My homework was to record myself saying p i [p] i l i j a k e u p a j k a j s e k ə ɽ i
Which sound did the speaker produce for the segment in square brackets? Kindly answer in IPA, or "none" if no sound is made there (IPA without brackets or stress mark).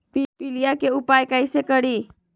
p